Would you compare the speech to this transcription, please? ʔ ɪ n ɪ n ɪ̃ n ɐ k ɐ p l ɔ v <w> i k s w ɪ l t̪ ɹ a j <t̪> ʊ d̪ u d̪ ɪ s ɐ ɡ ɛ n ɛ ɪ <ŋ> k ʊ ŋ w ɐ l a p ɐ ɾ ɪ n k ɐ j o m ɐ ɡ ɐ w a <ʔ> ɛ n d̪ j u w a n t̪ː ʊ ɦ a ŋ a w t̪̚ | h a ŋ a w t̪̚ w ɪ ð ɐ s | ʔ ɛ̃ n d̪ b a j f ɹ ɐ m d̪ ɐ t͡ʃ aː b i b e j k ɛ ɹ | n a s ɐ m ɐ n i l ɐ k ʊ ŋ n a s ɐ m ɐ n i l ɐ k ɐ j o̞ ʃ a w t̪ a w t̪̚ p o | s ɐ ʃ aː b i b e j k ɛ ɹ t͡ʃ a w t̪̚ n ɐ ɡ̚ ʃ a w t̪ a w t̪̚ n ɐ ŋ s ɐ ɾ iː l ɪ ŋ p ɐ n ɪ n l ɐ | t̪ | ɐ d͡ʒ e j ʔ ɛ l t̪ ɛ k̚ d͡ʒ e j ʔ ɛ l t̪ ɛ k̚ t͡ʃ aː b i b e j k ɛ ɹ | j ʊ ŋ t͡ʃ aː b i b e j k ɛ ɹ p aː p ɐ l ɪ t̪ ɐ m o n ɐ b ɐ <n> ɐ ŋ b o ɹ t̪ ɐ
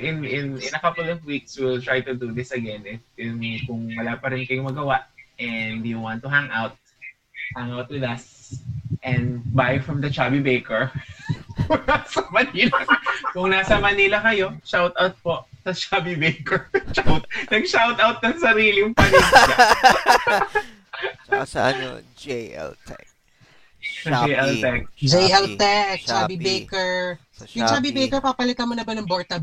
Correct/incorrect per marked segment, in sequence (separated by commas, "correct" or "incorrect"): correct, correct, incorrect, correct, correct